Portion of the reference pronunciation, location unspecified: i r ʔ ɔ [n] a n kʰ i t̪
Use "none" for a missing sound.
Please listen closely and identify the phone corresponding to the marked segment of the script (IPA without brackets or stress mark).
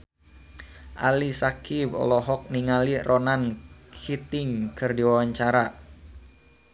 n